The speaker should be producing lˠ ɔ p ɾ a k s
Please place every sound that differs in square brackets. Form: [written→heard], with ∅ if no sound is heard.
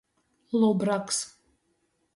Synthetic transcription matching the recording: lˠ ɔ [p→b] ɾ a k s